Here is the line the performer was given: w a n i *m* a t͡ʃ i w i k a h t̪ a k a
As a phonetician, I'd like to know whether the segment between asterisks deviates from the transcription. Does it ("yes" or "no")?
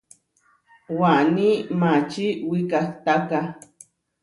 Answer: no